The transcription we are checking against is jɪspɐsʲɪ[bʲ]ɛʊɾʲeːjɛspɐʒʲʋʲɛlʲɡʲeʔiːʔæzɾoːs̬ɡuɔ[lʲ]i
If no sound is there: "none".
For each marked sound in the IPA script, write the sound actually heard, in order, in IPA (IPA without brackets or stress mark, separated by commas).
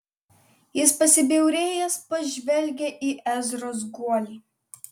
bʲ, lʲ